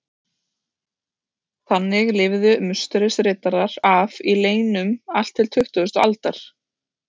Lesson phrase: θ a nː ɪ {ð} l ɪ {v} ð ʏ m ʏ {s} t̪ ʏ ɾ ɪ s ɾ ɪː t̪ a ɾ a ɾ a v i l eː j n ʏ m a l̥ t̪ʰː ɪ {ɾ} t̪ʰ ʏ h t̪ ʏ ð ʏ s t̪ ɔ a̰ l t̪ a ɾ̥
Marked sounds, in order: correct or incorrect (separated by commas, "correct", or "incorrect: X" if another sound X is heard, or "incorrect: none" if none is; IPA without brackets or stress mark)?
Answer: incorrect: ɣ, correct, correct, incorrect: l